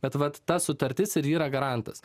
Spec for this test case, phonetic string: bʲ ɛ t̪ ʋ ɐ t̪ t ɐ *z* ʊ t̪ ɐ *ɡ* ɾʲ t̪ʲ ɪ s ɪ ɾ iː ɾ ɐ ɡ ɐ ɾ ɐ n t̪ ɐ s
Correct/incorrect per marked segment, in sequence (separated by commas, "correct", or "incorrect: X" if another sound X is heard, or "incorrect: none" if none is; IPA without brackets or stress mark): incorrect: s, incorrect: none